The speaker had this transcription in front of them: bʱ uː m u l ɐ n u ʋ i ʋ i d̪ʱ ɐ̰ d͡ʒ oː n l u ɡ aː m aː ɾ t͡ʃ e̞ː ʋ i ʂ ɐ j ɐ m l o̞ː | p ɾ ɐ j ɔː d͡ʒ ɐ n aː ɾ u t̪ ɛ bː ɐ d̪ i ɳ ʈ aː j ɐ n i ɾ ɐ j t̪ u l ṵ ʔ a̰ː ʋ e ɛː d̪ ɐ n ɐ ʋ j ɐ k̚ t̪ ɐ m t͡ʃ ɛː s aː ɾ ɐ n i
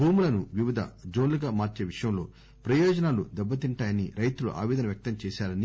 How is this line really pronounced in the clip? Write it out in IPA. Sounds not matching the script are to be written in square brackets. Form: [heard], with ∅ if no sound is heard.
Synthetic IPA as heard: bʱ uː m u l ɐ n u ʋ i ʋ i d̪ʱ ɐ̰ d͡ʒ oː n l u ɡ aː m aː ɾ t͡ʃ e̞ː ʋ i ʂ ɐ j ɐ m l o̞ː | p ɾ ɐ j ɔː d͡ʒ ɐ n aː [l] u [d̪] ɛ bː ɐ [t̪] i ɳ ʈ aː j ɐ n i ɾ ɐ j t̪ u l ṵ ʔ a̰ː ʋ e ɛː d̪ ɐ n ɐ ʋ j ɐ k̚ t̪ ɐ m t͡ʃ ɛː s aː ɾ ɐ n i

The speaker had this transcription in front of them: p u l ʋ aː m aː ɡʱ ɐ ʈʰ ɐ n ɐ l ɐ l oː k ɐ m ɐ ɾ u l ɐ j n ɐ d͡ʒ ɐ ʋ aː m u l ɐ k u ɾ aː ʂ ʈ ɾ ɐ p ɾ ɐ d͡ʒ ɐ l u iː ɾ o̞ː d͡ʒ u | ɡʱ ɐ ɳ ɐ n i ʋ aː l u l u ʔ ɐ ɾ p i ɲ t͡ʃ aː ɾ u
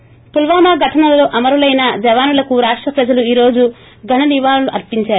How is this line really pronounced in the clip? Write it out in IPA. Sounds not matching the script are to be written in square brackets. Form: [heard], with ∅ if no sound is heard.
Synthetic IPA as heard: p u l ʋ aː m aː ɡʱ ɐ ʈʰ ɐ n ɐ l ɐ l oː [ʔ] ɐ m ɐ ɾ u l ɐ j n ɐ d͡ʒ ɐ ʋ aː [n] u l ɐ k u ɾ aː ʂ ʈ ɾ ɐ p ɾ ɐ d͡ʒ ɐ l u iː ɾ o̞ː d͡ʒ u | ɡʱ ɐ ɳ ɐ n i ʋ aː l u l u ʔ ɐ ɾ p i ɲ t͡ʃ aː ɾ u

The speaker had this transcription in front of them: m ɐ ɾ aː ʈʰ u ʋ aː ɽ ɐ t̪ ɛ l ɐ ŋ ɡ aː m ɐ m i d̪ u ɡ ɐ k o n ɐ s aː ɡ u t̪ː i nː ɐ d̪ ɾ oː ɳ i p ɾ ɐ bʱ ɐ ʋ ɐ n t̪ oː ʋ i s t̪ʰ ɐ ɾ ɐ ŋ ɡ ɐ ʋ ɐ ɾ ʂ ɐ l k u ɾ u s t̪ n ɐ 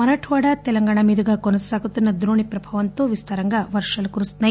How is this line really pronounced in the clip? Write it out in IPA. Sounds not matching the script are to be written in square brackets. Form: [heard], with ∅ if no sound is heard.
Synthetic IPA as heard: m ɐ ɾ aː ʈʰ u ʋ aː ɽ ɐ t̪ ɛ l ɐ ŋ ɡ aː [ɳ] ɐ m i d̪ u ɡ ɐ k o n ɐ s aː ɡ u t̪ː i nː ɐ d̪ ɾ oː ɳ i p ɾ ɐ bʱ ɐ ʋ ɐ n t̪ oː ʋ i s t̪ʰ ɐ ɾ ɐ ŋ ɡ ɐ ʋ ɐ ɾ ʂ ɐ l k u ɾ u s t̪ n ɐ

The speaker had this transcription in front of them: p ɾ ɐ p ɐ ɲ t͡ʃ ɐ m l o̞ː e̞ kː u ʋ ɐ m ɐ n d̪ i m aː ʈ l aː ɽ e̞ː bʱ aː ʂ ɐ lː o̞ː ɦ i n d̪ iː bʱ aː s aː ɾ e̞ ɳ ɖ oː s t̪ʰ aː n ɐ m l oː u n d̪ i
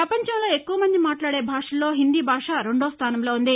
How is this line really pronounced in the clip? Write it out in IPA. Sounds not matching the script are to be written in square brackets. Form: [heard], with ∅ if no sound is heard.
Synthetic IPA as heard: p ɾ ɐ p ɐ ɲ t͡ʃ ɐ m l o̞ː e̞ kː u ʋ ɐ m ɐ n d̪ i m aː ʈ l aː ɽ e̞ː bʱ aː ʂ ɐ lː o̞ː ɦ i n d̪ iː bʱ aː [ʂ] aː ɾ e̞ ɳ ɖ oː s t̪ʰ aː n ɐ m l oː u n d̪ i

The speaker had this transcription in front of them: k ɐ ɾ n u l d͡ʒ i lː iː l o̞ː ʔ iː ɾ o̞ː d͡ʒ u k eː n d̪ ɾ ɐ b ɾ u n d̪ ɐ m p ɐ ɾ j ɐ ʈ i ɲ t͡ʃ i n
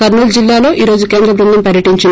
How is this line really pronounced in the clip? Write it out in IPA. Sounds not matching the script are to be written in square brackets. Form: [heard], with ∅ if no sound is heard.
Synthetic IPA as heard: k ɐ ɾ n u l d͡ʒ i lː [aː] l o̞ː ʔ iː ɾ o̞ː d͡ʒ u k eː n d̪ ɾ ɐ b ɾ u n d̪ ɐ m p ɐ ɾ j ɐ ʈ i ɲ t͡ʃ i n

